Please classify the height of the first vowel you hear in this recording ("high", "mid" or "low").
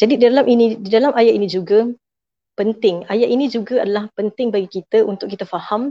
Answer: low